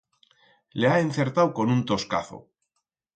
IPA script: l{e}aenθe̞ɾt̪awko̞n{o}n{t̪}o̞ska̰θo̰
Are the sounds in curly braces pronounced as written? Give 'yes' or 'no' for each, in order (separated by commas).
yes, no, yes